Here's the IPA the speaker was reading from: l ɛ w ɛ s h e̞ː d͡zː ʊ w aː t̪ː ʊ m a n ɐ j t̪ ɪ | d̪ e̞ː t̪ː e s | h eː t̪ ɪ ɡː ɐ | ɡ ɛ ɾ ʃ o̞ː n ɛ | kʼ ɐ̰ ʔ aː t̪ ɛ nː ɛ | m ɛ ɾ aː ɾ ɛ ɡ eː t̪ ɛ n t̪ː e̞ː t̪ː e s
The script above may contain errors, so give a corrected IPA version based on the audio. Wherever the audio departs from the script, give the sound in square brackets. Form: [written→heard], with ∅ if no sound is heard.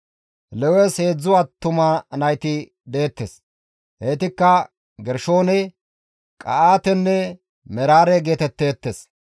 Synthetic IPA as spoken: l ɛ w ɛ s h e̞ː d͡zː ʊ w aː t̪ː ʊ m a n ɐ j t̪ ɪ | d̪ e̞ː t̪ː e s | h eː t̪ ɪ [ɡː→kː] ɐ | ɡ ɛ ɾ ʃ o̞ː n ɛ | kʼ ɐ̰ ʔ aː t̪ ɛ nː ɛ | m ɛ ɾ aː ɾ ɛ ɡ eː t̪ ɛ [n→∅] t̪ː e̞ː t̪ː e s